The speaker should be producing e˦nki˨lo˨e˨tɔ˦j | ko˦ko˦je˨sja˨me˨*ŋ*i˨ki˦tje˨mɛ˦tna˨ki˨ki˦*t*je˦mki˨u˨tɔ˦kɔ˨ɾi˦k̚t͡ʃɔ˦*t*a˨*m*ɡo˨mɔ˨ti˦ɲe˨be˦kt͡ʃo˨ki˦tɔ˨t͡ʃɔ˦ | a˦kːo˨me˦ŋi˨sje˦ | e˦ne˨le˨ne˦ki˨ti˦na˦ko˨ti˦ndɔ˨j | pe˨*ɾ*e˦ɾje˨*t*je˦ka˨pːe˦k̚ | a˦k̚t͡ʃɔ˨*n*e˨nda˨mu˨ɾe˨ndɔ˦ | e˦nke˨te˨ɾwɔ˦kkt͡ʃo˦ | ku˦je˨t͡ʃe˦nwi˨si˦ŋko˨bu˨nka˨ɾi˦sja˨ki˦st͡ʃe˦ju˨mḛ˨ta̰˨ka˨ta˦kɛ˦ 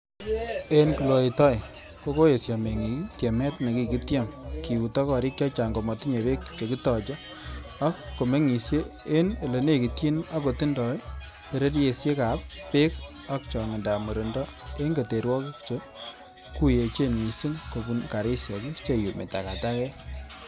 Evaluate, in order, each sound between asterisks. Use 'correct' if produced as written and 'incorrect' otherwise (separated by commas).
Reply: correct, correct, incorrect, incorrect, correct, incorrect, incorrect